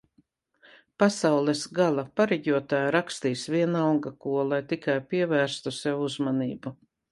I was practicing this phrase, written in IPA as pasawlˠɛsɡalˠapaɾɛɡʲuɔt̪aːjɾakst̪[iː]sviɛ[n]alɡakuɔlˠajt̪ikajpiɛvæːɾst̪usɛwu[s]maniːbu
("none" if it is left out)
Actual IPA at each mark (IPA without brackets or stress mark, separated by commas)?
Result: iː, n, z